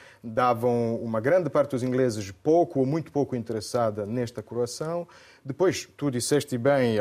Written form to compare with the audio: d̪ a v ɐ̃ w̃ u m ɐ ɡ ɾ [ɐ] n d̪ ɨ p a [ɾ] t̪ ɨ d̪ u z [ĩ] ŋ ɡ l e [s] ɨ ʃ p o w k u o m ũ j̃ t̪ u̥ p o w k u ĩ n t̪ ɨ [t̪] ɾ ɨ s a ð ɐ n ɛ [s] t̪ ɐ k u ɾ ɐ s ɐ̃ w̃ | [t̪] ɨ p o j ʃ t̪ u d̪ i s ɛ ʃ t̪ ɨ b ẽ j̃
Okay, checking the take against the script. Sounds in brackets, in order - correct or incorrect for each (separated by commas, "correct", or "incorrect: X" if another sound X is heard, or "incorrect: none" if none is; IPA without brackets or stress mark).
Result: incorrect: ɐ̃, correct, correct, incorrect: z, incorrect: none, incorrect: ʃ, incorrect: d̪